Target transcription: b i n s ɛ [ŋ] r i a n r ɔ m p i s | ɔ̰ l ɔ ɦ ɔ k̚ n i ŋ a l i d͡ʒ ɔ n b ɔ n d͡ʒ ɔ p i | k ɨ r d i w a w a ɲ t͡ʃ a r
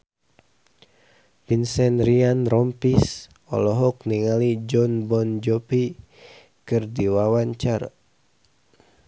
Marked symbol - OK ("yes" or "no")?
no